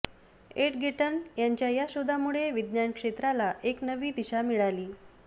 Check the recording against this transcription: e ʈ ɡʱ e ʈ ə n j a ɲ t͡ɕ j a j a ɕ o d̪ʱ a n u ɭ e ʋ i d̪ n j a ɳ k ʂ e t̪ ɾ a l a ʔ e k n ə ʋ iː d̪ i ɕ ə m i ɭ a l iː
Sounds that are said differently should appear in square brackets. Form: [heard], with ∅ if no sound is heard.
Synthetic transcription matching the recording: e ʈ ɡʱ e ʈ ə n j a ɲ t͡ɕ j a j a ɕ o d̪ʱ a [m] u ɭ e ʋ i d̪ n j a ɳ k ʂ e t̪ ɾ a l a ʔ e k n ə ʋ iː d̪ i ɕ [a] m i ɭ a l iː